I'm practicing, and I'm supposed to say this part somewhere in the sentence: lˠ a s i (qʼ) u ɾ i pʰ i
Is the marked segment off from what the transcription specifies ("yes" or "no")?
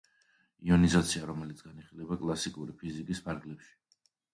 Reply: yes